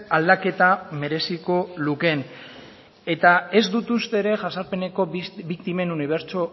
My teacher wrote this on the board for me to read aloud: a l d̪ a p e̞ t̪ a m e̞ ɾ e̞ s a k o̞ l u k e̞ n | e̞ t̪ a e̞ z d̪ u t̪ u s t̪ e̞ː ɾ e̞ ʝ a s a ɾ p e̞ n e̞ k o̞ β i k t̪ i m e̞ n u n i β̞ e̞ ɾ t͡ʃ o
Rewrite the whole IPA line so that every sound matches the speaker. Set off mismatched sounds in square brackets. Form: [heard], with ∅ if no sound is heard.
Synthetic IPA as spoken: a l d̪ a [k] e̞ t̪ a m e̞ ɾ e̞ s [i] k o̞ l u k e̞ n | e̞ t̪ a e̞ z d̪ u t̪ u s t̪ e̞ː ɾ e̞ ʝ a s a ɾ p e̞ n e̞ k o̞ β i k t̪ i m e̞ n u n i β̞ e̞ ɾ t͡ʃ o